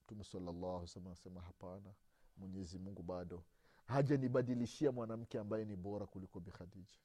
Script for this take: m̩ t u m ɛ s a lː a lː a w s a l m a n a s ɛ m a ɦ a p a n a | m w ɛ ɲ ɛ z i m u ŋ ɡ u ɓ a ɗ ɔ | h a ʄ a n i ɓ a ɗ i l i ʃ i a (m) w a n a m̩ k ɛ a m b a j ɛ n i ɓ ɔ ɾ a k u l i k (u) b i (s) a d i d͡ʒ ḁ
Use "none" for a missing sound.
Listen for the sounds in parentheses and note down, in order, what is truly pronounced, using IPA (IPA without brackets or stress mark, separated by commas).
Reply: m, ɔ, x